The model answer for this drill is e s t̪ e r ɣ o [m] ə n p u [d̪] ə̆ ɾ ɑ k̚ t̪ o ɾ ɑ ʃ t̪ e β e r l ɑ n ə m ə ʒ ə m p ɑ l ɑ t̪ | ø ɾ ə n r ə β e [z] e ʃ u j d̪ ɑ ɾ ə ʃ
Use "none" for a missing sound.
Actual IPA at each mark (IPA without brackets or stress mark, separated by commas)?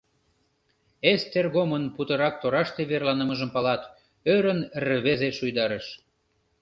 m, t̪, z